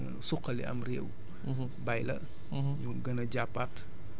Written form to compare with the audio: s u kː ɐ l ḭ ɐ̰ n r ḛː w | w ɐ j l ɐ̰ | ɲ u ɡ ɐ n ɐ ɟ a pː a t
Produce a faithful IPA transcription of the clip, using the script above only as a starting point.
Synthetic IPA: s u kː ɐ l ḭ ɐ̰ m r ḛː w | b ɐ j l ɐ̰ | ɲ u ɡ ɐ n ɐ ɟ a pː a t

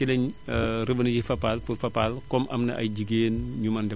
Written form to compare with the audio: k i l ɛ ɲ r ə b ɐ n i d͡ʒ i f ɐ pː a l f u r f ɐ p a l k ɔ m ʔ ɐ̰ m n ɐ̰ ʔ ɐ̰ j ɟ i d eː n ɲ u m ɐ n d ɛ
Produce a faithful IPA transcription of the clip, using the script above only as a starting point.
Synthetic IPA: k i l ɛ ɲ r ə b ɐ n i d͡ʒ i f ɐ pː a l f u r f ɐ p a l k ɔ m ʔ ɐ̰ m n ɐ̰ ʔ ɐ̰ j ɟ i ɡ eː n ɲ u m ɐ n d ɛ

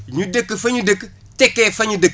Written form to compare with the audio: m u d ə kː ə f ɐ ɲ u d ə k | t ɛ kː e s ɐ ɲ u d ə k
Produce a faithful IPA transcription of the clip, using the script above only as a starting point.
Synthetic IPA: ɲ u d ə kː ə f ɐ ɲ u d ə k | t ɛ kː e f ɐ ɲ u d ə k

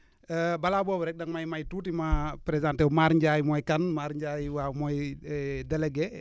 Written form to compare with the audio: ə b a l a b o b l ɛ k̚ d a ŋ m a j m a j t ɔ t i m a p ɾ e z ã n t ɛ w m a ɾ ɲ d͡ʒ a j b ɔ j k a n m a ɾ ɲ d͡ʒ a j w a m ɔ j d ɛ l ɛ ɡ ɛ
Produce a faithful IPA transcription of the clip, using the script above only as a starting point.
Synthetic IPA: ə b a l a b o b ɾ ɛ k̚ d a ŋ m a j m a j t u t i m a p ɾ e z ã n t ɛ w m a ɾ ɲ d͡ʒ a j m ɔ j k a n m a ɾ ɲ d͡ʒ a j w a m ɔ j d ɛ l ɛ ɡ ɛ

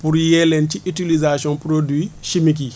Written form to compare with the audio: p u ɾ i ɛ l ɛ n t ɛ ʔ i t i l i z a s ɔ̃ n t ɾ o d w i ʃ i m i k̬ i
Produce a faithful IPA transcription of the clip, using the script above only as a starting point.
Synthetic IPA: p u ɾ j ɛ l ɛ n t i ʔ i t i l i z a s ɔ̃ n p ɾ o d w i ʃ i m i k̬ i

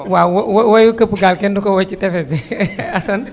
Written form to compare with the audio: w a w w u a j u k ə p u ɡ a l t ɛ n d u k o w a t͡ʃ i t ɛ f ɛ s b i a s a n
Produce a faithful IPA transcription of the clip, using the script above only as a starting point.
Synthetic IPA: w a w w w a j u k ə p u ɡ a l k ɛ n d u k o w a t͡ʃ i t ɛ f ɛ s d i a s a n

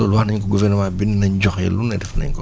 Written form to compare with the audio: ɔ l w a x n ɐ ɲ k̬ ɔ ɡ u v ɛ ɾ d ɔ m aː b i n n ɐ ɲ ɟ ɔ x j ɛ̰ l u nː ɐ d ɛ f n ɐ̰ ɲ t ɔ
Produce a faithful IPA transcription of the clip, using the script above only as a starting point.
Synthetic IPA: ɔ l w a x n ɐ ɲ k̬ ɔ ɡ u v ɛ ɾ n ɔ m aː b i n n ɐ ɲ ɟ ɔ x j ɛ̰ l u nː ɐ d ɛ f n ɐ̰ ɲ k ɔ

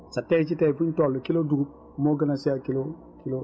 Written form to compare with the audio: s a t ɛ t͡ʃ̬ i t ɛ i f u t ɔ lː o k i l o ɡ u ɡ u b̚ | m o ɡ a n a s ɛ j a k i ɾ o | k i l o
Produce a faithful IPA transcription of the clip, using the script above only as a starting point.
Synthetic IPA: s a t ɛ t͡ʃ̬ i t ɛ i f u t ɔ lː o k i l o d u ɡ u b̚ | m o ɡ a n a s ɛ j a k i l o | k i l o

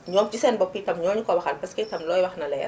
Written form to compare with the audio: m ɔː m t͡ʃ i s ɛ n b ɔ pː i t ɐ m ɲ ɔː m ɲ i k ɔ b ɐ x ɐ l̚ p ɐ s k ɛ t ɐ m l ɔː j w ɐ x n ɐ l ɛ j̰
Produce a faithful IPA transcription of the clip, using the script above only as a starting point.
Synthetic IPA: ɲ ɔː m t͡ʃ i s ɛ n b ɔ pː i t ɐ m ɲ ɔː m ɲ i k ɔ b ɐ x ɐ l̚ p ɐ s k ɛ t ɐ m l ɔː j w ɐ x n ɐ l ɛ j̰

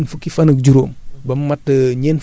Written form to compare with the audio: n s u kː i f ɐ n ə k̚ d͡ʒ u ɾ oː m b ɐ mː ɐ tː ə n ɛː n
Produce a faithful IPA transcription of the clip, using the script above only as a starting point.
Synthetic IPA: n f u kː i f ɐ n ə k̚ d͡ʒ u ɾ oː m b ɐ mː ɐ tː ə ɲ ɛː n

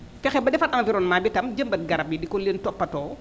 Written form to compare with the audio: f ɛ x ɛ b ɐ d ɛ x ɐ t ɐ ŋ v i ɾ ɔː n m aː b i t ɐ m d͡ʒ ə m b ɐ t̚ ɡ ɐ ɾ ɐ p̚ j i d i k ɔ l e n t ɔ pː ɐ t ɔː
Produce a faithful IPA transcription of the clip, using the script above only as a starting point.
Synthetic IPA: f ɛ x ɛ b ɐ d ɛ f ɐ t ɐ ŋ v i ɾ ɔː n m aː b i t ɐ m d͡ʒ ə m b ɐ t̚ ɡ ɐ ɾ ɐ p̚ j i d i k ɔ l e n t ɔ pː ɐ t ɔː

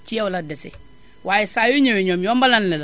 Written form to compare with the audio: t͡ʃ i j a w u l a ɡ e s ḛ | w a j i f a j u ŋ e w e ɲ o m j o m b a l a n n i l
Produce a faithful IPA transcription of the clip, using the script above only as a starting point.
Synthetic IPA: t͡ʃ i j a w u l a d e s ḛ | w a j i s a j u ɲ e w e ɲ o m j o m b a l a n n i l

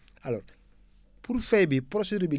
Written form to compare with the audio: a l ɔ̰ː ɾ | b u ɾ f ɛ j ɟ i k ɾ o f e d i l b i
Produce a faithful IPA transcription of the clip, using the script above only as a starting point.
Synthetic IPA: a l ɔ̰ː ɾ | p u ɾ f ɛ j b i p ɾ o s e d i ɾ b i

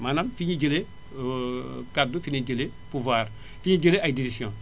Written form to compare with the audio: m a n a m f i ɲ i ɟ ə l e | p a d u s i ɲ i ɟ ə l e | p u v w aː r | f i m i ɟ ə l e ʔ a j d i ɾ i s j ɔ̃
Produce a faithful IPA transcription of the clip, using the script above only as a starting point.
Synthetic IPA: m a n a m f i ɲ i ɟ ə l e | k a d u f i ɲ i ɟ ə l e | p u v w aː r | f i ɲ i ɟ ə l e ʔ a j d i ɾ i s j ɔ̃

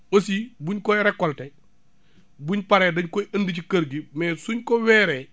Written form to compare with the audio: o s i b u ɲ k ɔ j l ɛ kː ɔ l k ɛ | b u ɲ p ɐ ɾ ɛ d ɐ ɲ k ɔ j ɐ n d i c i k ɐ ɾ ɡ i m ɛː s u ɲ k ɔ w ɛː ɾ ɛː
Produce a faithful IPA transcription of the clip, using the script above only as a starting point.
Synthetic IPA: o s i b u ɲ k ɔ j ɾ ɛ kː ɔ l t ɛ | b u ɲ p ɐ ɾ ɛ d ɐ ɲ k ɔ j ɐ n d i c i k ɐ ɾ ɡ i m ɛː s u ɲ k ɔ w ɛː ɾ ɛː

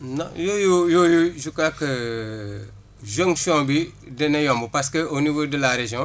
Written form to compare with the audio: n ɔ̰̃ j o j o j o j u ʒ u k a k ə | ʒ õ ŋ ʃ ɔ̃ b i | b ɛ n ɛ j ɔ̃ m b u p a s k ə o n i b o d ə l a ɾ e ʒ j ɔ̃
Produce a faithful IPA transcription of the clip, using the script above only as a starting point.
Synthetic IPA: n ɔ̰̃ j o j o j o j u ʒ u k a k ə | ʒ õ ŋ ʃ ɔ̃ b i | d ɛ n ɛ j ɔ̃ m b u p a s k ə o n i v o d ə l a ɾ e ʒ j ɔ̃

